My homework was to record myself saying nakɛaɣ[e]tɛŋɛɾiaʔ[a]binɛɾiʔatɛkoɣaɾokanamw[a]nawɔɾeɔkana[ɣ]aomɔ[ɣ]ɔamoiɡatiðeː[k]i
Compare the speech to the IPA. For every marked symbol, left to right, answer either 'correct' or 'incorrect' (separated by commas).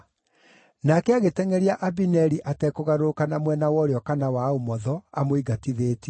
correct, correct, incorrect, incorrect, incorrect, incorrect